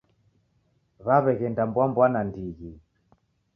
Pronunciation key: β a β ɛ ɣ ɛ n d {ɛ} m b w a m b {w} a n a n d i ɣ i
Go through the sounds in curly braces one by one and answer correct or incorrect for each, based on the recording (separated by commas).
incorrect, correct